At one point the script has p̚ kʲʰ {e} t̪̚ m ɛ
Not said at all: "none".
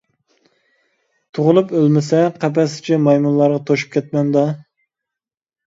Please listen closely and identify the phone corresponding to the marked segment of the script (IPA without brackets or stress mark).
ɛ